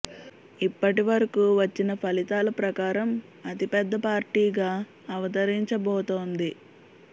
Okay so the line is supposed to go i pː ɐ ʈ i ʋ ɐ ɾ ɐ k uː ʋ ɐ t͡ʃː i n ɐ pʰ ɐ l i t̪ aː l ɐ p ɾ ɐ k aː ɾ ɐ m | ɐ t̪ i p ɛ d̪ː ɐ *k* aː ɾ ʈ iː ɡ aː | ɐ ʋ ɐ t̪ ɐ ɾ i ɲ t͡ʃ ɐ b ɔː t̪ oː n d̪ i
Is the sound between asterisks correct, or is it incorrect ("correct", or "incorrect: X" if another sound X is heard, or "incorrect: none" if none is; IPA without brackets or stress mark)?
incorrect: p